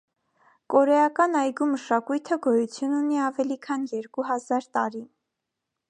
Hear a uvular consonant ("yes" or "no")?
no